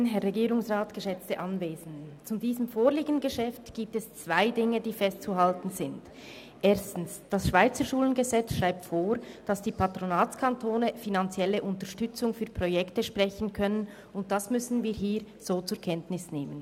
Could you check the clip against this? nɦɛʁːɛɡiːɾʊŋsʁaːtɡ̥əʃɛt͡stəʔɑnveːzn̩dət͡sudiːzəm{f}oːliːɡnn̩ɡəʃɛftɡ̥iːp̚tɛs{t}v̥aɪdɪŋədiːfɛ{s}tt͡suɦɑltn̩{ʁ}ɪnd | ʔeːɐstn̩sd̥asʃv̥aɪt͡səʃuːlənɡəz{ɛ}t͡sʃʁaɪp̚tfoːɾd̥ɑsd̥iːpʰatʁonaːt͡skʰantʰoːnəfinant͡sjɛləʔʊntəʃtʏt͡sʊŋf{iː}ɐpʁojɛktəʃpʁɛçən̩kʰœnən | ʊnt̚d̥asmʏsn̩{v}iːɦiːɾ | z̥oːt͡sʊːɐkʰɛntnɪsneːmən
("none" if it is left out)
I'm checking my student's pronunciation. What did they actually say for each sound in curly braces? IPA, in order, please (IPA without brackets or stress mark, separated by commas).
f, t͡s, s, z, ɛ, yː, v